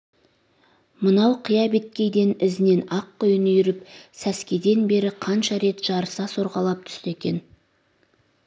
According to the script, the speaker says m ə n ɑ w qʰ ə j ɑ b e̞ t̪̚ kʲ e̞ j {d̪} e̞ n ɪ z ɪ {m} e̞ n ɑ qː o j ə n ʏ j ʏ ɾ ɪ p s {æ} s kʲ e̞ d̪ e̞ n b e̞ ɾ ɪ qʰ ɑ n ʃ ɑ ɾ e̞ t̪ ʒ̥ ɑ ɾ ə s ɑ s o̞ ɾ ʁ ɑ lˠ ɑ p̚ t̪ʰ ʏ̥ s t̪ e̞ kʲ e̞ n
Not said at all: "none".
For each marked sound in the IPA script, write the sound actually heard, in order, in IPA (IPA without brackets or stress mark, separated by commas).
d̪, n, æ